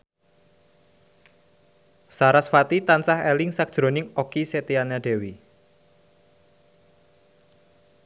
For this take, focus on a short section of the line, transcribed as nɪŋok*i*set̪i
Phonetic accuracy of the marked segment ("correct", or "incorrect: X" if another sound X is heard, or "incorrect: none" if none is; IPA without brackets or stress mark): correct